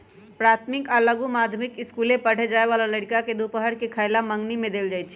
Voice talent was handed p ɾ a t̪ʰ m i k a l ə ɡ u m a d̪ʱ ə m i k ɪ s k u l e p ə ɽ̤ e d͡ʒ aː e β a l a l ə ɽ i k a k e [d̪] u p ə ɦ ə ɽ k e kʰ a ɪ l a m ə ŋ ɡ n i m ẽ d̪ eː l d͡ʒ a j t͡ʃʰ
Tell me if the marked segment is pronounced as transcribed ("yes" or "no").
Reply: yes